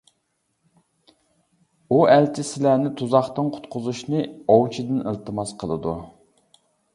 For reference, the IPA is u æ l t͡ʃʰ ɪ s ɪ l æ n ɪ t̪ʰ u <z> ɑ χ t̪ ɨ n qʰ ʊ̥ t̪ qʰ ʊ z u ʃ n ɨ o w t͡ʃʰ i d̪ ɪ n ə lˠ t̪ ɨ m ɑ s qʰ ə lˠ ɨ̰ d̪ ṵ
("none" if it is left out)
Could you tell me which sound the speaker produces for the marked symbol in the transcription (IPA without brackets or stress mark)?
z